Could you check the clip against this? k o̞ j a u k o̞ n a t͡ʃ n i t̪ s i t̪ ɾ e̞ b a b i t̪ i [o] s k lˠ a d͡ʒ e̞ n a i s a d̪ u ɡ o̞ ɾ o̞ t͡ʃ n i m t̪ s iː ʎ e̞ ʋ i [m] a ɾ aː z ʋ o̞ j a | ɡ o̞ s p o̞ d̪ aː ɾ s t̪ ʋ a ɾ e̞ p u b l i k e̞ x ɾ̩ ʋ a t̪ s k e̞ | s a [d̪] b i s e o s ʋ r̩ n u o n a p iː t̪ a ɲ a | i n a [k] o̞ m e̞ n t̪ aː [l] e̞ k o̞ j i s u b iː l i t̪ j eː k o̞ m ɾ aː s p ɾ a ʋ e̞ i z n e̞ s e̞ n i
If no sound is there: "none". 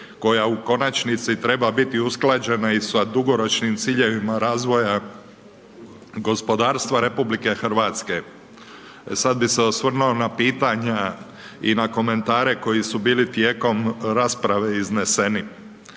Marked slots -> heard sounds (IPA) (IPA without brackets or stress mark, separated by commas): u, m, d̪, k, ɾ